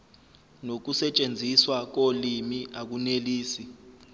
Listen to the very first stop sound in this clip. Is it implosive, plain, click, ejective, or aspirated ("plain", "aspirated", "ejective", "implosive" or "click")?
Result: plain